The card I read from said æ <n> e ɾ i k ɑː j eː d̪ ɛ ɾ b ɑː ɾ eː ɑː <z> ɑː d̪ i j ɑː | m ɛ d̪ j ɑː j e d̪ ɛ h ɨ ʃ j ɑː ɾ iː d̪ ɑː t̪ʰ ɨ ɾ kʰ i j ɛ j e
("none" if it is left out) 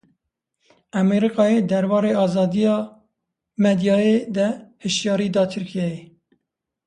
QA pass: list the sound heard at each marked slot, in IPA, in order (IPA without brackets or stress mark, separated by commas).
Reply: m, z